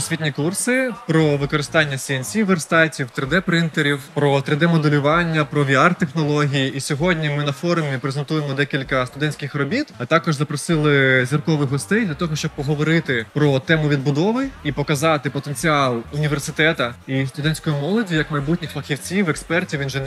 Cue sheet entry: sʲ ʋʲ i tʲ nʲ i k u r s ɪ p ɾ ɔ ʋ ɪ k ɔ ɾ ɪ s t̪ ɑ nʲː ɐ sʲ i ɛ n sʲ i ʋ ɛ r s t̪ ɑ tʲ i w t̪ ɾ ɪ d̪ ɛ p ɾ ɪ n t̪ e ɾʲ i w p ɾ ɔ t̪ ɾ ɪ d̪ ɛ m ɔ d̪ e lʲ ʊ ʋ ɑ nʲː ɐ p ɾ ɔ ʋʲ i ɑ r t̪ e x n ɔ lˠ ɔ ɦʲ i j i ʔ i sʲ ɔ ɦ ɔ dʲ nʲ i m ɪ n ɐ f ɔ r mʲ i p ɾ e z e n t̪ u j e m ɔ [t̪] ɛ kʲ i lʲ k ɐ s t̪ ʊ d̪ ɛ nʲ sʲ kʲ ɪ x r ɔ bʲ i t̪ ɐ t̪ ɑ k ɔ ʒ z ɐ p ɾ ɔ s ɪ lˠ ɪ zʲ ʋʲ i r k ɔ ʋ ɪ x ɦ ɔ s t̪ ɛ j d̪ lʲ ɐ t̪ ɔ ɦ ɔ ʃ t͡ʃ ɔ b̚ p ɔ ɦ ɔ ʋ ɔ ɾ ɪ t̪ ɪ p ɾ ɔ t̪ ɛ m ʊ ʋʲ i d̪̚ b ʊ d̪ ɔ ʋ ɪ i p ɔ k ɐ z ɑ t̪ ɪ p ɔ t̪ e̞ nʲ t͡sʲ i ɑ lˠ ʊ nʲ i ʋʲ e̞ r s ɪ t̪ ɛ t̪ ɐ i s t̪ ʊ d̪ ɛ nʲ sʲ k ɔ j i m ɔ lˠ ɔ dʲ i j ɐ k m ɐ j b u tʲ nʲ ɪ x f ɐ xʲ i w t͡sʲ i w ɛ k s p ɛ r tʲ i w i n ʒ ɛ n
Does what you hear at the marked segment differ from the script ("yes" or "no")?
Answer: yes